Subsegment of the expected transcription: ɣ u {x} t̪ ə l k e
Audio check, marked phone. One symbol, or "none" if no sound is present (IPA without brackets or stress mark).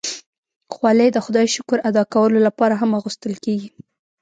s